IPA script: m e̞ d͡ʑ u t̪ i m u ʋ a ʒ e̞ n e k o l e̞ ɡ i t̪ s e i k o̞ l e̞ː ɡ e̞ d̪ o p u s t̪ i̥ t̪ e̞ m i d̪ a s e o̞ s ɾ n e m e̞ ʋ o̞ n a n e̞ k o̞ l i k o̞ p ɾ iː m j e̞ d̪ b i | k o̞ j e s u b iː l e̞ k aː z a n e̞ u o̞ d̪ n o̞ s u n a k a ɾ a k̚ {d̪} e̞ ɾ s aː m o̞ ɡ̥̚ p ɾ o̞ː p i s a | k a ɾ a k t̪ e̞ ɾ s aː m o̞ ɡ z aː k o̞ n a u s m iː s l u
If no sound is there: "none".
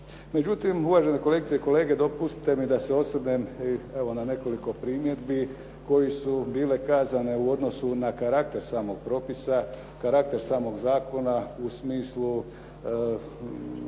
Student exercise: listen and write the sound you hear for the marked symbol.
t̪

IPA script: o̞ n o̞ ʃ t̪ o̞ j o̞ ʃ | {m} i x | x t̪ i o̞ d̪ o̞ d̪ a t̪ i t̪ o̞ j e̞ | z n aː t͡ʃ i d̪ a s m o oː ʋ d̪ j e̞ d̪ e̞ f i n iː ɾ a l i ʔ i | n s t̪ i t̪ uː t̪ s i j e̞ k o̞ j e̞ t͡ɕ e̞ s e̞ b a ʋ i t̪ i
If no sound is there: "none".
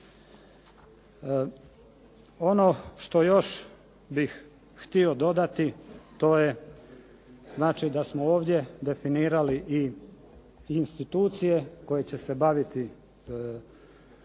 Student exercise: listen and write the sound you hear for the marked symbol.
b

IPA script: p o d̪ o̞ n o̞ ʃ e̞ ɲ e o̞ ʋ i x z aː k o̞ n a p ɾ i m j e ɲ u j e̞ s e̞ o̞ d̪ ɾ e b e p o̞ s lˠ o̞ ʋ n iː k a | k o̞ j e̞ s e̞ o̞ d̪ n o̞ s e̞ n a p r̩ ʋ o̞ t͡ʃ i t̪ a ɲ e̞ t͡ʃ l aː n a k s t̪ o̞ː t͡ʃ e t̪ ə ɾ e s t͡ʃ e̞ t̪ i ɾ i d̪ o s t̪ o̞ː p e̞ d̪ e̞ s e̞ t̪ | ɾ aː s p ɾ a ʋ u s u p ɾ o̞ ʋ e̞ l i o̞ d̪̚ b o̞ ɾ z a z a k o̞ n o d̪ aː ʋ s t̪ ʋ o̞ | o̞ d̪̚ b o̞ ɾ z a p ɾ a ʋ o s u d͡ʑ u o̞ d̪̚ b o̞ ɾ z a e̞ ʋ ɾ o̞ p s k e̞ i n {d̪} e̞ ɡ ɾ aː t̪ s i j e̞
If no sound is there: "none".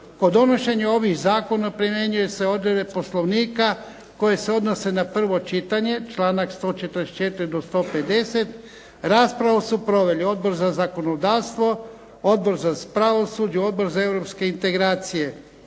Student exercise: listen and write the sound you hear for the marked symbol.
t̪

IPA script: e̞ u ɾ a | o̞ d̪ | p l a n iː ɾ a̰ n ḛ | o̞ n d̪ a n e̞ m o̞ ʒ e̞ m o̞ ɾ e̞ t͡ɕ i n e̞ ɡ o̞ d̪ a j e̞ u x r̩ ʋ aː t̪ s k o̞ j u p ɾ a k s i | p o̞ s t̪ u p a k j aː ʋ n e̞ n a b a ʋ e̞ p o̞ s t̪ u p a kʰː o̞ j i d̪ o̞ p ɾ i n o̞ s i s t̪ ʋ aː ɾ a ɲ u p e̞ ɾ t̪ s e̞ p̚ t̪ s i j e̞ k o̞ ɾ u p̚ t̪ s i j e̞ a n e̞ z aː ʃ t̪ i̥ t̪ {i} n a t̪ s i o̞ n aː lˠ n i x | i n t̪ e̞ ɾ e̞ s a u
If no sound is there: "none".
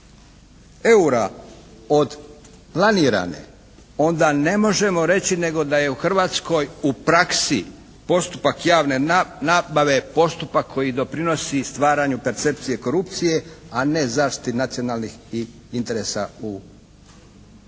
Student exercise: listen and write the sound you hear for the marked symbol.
i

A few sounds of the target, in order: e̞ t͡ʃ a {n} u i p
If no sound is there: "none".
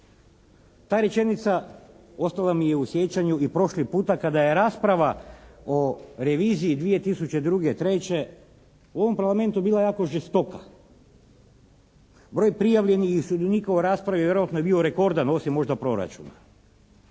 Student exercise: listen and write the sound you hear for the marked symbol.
ɲ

